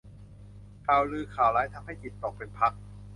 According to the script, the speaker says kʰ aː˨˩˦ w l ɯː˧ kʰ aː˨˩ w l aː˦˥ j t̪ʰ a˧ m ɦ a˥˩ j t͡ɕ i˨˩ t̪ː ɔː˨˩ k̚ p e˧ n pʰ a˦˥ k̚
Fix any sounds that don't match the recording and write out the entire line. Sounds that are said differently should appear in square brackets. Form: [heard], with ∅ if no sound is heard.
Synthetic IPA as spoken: kʰ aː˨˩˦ w l ɯː˧ kʰ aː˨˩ w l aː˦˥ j t̪ʰ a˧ m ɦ a˥˩ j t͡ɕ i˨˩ t̪ː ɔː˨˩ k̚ p e˧ n pʰ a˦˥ k̚